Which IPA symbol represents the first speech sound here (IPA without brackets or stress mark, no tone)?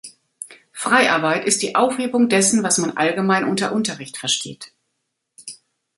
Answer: f